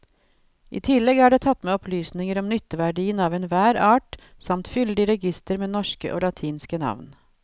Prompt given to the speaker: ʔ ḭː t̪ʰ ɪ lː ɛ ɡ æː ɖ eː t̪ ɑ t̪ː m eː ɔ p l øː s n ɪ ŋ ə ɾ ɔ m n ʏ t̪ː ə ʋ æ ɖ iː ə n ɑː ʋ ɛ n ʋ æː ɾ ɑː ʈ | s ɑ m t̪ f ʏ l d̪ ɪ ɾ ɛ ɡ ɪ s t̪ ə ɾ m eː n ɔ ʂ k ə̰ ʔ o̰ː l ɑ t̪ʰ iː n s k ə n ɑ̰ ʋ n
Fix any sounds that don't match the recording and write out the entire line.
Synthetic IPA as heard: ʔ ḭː t̪ʰ ɪ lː ɛ ɡ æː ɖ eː t̪ʰ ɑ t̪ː m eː ɔ p l yː s n ɪ ŋ ə ɾ ɔ m n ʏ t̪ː ə ʋ æ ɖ iː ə n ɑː ʋ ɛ n ʋ æː ɾ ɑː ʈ | s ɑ m t̪ f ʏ l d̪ ɪ ɾ ɛ ɡ ɪ s t̪ ə ɾ m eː n ɔ ʂ k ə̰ ʔ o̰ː l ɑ t̪ʰ iː n s k ə n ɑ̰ ʋ n